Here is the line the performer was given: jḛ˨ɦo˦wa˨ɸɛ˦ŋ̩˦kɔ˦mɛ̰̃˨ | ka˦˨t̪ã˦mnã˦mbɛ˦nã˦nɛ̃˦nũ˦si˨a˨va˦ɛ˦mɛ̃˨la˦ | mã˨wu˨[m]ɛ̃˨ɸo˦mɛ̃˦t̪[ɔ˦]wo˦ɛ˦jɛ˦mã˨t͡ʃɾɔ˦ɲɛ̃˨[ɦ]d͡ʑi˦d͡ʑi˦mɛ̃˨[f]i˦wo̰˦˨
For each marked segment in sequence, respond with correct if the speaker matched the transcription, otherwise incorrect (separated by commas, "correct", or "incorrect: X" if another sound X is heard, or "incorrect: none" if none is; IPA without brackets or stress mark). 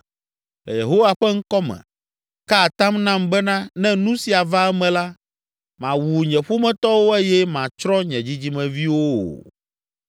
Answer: incorrect: ɲ, correct, incorrect: none, incorrect: v